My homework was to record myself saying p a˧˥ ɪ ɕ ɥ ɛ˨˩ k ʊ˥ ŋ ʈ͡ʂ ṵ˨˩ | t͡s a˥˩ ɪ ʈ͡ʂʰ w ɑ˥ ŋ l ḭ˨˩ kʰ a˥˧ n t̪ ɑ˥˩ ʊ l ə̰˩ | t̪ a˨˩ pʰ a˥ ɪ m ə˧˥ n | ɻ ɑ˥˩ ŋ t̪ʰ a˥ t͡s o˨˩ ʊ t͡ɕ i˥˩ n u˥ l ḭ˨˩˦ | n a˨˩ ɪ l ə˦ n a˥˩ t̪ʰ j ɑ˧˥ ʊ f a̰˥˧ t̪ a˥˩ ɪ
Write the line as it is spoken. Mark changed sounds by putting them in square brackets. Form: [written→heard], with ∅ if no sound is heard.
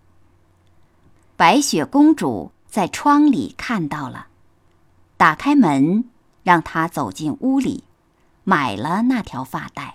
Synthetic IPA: p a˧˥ ɪ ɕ ɥ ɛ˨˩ k ʊ˥ ŋ ʈ͡ʂ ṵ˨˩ | t͡s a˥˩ ɪ ʈ͡ʂʰ w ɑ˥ ŋ l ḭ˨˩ kʰ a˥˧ n t̪ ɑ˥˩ ʊ l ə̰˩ | t̪ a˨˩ [pʰ→kʰ] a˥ ɪ m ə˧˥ n | ɻ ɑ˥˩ ŋ t̪ʰ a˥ t͡s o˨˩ ʊ t͡ɕ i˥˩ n u˥ l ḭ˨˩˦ | [n→m] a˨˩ ɪ l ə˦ n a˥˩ t̪ʰ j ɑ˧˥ ʊ f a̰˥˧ t̪ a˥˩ ɪ